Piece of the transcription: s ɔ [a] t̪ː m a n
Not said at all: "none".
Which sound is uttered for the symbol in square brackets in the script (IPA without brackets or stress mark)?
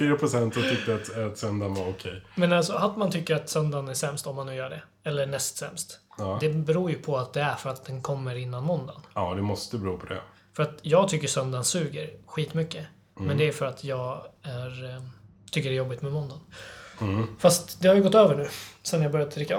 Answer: a